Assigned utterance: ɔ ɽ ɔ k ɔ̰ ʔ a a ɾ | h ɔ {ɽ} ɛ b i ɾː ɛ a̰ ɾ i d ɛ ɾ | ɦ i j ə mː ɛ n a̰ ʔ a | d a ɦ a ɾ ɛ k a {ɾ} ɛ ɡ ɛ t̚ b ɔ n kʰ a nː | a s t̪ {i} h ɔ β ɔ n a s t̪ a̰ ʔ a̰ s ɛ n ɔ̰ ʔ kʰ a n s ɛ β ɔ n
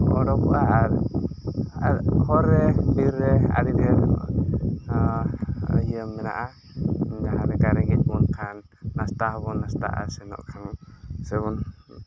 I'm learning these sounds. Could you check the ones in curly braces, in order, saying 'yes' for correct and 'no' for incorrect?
no, yes, no

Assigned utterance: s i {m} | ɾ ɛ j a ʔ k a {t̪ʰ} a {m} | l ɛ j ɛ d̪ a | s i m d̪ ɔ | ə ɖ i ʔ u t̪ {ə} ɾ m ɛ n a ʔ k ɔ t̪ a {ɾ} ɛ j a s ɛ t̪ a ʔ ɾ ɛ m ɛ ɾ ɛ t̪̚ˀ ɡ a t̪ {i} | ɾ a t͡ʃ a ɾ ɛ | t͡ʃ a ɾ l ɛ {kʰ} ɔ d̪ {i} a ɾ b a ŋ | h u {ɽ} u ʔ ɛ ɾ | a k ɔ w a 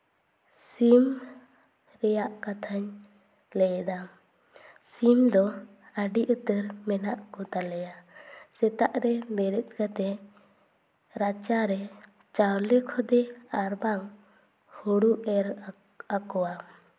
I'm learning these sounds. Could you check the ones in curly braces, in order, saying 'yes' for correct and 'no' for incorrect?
yes, yes, no, yes, no, no, yes, no, yes

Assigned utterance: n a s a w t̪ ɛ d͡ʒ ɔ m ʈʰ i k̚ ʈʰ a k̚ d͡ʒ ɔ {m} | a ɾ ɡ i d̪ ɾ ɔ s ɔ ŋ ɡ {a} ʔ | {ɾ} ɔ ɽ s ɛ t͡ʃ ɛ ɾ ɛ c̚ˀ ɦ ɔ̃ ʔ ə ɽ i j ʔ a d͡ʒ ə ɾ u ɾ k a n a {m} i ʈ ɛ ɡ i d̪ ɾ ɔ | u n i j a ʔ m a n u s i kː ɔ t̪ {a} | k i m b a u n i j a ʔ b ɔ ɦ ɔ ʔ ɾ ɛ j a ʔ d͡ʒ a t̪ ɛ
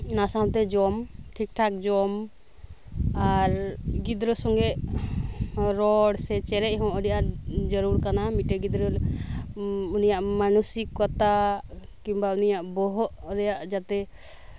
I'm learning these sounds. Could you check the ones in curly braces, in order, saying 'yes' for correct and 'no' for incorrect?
yes, no, yes, yes, yes

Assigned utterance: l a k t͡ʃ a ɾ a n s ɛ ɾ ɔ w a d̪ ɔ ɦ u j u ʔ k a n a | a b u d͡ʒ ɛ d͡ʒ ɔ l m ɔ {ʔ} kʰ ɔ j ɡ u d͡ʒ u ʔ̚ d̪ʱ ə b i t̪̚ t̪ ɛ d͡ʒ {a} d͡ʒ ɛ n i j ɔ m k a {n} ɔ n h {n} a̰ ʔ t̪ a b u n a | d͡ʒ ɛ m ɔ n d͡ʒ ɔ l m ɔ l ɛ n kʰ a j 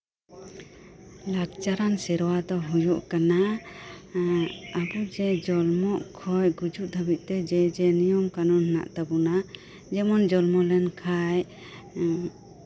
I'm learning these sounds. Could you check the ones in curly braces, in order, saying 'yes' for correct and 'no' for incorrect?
yes, no, yes, yes

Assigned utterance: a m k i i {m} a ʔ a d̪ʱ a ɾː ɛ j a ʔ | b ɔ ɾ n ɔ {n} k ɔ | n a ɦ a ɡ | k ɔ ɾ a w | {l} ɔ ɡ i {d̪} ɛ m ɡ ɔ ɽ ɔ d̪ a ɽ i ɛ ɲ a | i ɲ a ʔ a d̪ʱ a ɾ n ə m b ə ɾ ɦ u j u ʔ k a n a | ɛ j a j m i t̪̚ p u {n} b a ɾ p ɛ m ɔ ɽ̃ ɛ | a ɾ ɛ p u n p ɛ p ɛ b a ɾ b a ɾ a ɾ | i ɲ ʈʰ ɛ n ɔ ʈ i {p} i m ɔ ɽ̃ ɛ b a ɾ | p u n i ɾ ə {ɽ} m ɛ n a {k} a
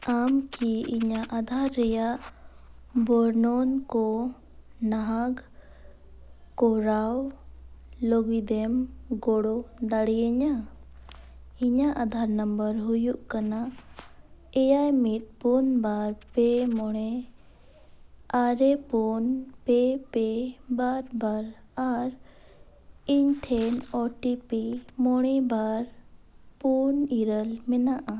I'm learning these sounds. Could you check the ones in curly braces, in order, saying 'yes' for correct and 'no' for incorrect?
no, yes, yes, yes, yes, yes, no, no

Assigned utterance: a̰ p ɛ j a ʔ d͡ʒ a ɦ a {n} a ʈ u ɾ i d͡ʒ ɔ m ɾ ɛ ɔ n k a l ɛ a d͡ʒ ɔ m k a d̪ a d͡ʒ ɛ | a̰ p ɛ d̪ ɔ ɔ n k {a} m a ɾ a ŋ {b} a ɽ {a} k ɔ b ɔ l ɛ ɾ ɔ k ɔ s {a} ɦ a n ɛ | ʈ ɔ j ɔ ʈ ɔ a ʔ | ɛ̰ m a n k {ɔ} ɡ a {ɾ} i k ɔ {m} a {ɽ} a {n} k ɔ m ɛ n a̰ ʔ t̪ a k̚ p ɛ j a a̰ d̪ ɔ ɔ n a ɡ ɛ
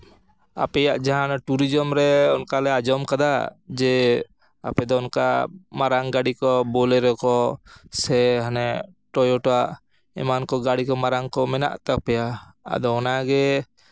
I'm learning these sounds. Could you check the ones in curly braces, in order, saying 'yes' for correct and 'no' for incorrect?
yes, yes, no, no, no, yes, no, yes, no, no

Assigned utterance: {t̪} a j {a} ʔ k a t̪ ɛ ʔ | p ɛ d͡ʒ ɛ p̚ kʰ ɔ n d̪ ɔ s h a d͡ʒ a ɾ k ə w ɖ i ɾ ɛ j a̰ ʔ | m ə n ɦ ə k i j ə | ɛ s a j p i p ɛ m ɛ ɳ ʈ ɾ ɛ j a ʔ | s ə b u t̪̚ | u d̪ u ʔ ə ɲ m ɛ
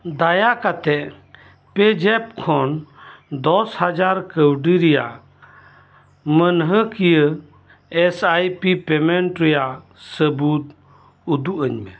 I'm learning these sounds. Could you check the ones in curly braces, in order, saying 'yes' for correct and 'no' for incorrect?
no, yes

